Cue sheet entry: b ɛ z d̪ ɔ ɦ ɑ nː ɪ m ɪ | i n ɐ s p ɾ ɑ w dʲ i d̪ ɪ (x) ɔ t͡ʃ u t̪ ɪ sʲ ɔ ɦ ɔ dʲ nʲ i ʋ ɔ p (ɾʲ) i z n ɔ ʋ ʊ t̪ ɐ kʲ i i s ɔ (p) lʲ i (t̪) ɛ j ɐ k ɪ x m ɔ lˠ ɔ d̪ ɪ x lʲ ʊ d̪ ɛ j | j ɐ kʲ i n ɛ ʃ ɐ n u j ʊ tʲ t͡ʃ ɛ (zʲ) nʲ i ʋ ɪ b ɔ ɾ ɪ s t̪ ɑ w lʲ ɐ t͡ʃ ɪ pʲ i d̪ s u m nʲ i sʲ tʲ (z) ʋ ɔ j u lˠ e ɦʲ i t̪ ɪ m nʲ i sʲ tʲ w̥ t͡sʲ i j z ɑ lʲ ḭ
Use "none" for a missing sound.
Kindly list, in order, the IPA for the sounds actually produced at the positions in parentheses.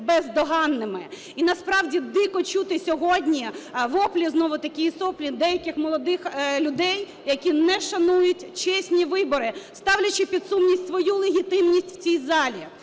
k, lʲ, p, d̪, sʲ, s

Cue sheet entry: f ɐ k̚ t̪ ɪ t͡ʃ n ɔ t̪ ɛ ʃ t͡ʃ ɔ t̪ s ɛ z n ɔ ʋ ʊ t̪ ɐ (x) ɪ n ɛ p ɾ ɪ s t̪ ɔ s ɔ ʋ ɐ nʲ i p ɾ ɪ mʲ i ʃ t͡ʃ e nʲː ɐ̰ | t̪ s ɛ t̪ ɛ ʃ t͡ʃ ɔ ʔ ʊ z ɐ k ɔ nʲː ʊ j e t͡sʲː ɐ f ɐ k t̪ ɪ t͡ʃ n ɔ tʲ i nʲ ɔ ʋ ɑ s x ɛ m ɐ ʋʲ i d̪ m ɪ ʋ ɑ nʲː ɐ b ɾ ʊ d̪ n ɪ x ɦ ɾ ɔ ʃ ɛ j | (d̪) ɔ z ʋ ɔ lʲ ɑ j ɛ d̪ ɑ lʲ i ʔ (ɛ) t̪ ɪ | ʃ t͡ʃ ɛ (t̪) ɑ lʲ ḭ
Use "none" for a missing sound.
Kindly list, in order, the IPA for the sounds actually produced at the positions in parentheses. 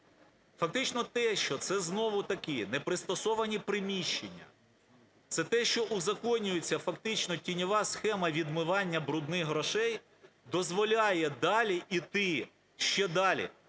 k, d̪, i, d̪

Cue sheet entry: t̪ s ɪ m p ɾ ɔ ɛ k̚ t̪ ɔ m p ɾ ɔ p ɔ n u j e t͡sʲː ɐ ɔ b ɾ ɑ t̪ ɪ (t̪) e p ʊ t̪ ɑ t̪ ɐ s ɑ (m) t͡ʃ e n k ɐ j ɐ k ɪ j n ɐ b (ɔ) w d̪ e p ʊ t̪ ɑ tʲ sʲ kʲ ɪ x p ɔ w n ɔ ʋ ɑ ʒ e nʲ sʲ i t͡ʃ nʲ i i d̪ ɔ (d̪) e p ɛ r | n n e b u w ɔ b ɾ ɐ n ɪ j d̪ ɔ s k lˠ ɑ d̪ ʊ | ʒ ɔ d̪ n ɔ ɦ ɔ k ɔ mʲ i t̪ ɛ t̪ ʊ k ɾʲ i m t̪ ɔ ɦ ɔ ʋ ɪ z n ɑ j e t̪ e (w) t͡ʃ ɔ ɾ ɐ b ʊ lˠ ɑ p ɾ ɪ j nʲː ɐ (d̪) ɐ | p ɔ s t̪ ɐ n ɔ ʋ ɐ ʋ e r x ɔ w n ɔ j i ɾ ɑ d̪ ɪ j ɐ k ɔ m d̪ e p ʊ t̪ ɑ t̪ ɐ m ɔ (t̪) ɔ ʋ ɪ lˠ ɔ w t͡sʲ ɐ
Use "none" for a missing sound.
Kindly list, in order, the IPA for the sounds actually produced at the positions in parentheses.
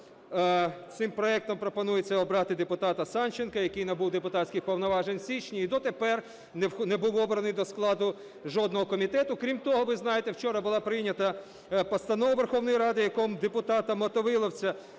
d̪, n, u, t̪, w, t̪, t̪

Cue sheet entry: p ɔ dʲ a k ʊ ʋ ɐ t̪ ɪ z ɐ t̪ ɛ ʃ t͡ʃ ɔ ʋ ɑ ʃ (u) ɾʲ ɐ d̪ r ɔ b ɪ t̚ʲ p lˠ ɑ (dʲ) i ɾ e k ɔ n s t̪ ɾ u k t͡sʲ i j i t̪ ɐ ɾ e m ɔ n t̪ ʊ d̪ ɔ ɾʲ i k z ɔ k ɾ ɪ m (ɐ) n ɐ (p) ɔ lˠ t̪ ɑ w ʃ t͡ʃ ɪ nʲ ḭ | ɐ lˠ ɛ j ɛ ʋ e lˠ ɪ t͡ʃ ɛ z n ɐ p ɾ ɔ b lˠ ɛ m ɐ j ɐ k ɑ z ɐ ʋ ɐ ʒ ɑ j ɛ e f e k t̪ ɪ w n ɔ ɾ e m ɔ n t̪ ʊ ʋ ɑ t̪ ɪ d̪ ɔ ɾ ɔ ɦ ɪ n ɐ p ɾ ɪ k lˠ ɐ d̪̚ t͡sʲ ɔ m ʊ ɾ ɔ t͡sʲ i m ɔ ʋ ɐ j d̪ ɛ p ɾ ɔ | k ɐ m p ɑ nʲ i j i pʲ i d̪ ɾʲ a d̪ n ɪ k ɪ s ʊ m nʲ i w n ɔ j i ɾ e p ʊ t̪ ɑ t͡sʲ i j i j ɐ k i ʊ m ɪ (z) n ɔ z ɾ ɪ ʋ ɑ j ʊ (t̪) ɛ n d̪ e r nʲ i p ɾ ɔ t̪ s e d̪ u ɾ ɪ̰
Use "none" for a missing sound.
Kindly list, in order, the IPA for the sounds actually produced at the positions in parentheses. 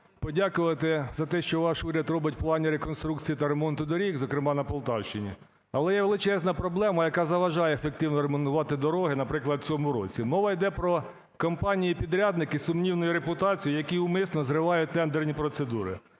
u, nʲ, ɑ, p, s, t̪

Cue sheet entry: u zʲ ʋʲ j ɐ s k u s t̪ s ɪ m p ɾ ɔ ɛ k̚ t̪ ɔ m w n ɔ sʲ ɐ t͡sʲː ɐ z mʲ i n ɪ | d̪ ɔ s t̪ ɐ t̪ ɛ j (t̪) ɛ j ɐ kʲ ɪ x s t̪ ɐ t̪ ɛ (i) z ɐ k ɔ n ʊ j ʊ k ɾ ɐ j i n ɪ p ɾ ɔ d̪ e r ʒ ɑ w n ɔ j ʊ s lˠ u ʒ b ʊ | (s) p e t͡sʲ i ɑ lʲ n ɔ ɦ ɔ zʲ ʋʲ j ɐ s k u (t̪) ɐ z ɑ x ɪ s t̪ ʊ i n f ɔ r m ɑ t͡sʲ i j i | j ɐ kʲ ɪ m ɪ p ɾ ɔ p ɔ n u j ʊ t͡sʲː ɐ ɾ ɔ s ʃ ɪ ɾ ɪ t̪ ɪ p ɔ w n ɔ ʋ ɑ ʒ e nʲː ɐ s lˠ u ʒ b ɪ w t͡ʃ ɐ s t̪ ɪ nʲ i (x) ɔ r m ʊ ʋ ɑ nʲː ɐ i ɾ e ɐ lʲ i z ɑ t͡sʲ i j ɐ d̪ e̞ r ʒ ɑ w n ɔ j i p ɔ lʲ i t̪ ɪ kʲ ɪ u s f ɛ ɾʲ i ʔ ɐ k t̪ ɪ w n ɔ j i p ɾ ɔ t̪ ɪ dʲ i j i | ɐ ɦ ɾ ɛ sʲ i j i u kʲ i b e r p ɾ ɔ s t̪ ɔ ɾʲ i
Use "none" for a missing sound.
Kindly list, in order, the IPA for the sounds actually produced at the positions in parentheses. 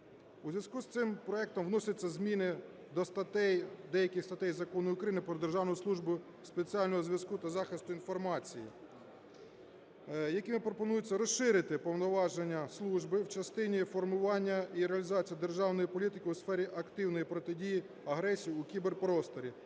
d̪, j, s, t̪, f

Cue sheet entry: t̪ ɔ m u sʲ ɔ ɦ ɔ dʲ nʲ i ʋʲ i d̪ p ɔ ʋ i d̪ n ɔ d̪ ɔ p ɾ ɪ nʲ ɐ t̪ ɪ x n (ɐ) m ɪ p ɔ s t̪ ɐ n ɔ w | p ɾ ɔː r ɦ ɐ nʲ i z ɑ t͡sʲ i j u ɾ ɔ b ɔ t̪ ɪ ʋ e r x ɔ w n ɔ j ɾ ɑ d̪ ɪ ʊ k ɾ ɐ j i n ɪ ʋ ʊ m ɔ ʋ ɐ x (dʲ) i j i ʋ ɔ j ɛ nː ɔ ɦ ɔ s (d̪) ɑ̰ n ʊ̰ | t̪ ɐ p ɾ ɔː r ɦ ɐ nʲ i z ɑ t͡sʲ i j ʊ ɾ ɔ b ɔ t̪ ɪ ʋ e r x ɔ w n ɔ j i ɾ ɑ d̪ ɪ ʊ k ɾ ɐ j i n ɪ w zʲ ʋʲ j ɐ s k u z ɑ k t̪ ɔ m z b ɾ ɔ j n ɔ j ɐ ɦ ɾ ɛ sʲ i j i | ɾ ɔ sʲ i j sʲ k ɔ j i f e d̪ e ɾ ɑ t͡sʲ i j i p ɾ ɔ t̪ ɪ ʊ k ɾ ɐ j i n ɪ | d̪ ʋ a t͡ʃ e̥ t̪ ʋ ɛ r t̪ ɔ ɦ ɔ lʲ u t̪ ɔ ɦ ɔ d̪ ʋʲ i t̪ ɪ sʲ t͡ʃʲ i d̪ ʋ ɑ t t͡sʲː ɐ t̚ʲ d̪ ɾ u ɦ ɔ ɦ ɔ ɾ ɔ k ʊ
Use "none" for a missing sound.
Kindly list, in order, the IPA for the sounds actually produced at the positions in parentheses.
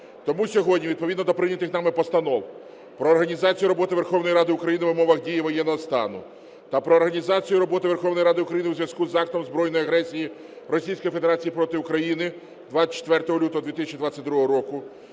ɑ, dʲ, t̪

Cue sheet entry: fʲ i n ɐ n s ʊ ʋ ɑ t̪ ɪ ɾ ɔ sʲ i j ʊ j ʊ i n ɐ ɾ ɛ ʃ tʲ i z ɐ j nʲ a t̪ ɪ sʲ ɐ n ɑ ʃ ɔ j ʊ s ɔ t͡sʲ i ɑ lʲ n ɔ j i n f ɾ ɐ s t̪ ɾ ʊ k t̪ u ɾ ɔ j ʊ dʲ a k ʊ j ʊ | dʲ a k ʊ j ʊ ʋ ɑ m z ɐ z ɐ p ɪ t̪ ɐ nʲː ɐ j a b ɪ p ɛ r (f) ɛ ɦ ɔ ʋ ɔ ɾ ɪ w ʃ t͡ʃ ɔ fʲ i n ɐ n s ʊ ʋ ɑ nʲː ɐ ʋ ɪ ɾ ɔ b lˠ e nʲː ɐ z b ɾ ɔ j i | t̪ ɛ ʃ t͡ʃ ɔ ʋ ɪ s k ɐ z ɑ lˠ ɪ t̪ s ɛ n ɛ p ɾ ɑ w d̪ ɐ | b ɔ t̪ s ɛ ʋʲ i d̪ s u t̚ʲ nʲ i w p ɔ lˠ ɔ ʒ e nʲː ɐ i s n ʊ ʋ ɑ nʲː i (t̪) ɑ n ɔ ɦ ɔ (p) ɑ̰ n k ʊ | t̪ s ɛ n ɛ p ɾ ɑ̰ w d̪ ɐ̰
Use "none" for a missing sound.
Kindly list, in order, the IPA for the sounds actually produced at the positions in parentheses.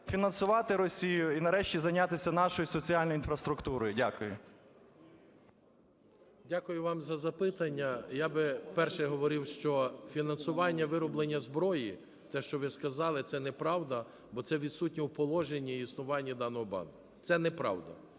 ʃ, d̪, b

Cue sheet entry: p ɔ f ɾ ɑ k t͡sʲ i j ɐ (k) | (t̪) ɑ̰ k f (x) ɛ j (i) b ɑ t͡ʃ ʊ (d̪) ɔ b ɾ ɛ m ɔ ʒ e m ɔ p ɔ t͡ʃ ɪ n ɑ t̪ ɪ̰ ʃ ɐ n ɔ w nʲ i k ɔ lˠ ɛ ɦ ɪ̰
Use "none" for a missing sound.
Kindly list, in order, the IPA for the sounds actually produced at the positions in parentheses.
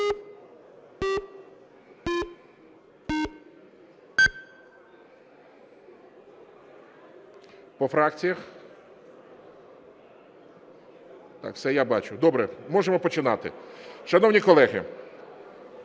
x, t̪, s, a, d̪

